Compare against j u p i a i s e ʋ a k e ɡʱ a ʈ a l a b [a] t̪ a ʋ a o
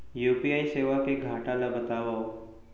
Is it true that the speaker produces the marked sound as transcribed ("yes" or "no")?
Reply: no